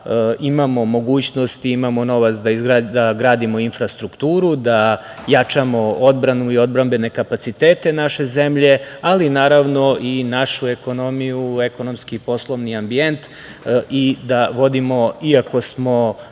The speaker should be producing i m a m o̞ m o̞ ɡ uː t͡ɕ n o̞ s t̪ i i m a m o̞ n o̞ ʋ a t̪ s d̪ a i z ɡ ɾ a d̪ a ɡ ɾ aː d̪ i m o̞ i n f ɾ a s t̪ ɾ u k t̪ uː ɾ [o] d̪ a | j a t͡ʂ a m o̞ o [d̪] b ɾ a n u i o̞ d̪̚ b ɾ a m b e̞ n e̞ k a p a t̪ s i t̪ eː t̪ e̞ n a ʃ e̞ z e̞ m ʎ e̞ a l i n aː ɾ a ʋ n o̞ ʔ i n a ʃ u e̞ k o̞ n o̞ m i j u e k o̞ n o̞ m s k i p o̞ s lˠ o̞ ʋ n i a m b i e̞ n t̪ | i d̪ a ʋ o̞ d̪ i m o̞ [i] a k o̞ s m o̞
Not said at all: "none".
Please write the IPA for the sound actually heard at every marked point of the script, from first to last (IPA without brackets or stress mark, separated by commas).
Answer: u, d̪, i